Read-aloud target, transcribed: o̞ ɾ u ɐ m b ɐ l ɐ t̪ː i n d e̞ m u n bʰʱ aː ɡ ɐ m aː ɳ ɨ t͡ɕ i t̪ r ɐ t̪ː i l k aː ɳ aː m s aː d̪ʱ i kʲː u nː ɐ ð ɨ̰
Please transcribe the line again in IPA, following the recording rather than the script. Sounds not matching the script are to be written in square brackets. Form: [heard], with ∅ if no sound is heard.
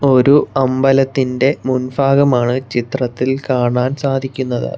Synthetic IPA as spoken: o̞ ɾ u ɐ m b ɐ l ɐ t̪ː i n d e̞ m u n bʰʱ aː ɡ ɐ m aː ɳ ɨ t͡ɕ i t̪ r ɐ t̪ː i l k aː ɳ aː [n] s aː d̪ʱ i kʲː u nː ɐ ð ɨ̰